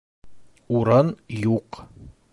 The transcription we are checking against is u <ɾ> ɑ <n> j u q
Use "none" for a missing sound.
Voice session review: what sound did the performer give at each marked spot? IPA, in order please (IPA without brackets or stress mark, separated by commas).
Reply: ɾ, n